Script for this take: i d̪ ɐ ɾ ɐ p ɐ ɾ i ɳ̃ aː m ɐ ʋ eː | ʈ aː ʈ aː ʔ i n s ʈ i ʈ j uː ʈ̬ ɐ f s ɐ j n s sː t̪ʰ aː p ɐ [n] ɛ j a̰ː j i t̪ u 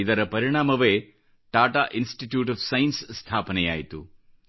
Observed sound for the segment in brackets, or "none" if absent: n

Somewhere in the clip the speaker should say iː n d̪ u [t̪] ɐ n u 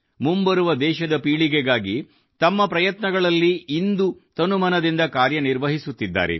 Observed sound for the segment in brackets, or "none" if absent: t̪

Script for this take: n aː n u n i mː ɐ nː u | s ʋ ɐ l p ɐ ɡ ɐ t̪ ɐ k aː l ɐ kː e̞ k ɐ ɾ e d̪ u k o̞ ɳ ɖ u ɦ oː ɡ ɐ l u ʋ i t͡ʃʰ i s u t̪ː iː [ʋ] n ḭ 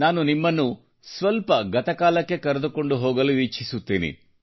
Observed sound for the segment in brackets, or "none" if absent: none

